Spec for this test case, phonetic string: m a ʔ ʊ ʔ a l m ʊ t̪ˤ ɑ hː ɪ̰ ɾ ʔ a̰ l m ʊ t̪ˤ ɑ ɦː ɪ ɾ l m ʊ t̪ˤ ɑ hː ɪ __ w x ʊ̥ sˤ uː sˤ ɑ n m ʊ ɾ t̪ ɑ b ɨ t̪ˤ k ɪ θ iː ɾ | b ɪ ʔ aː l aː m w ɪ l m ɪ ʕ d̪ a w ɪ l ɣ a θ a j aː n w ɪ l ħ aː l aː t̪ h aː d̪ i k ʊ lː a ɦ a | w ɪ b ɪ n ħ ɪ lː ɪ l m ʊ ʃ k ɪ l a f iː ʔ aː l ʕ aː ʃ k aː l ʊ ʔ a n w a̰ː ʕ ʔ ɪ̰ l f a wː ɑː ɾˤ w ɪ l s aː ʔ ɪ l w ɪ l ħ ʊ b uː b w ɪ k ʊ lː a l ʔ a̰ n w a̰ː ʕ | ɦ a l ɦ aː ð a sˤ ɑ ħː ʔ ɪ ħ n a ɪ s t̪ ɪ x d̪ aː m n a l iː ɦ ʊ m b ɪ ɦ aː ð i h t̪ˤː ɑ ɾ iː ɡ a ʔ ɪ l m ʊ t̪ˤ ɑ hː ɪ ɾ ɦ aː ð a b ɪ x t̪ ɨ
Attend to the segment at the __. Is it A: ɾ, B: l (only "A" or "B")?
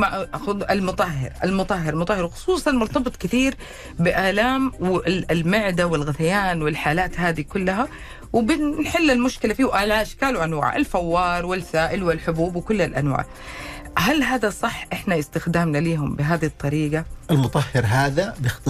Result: A